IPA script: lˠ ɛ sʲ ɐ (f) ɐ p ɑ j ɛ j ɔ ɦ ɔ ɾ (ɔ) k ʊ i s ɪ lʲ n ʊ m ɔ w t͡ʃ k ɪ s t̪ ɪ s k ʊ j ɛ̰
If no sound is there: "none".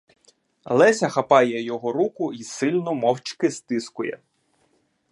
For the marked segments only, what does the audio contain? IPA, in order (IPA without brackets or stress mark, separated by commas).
x, u